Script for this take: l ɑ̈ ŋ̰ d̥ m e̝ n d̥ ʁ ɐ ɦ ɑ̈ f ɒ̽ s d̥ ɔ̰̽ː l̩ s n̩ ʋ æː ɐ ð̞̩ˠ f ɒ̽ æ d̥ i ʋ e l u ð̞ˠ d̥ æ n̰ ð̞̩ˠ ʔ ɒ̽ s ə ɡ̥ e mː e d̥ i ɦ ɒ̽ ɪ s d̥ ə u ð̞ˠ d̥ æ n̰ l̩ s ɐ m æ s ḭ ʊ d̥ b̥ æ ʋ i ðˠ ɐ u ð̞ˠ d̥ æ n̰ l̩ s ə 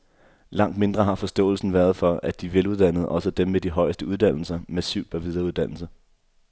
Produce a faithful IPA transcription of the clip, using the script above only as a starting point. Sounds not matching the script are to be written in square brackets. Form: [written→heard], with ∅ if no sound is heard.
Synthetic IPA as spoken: l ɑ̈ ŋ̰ d̥ m e̝ n d̥ ʁ ɐ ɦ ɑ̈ f ɒ̽ s d̥ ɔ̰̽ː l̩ s n̩ ʋ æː ɐ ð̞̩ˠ f ɒ̽ æ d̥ i ʋ e l u ð̞ˠ d̥ æ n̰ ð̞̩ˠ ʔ ɒ̽ s ə [ɡ̥→d̥] e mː e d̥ i ɦ ɒ̽ ɪ s d̥ ə u ð̞ˠ d̥ æ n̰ l̩ s ɐ m æ s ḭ ʊ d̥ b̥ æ ʋ i ðˠ ɐ u ð̞ˠ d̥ æ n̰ l̩ s ə